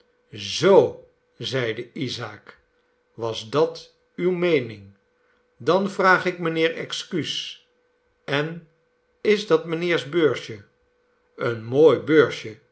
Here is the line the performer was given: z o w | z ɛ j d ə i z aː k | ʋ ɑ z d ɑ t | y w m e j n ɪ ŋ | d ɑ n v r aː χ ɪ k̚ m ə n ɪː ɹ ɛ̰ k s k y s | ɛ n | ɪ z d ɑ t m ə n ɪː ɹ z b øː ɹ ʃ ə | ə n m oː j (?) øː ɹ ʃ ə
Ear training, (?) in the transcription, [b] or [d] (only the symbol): b